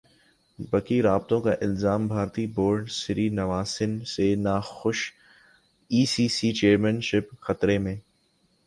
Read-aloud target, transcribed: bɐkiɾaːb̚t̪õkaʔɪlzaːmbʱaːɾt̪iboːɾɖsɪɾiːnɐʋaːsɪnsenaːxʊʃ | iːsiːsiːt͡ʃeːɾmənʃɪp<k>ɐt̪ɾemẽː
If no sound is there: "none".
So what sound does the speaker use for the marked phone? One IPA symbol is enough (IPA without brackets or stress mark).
x